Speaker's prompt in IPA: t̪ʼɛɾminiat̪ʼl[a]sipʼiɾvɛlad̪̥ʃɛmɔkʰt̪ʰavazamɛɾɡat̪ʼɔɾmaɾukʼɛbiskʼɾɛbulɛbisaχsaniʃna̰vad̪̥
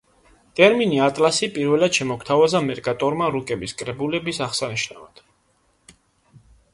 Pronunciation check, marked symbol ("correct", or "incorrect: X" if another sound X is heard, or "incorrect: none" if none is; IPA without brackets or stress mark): correct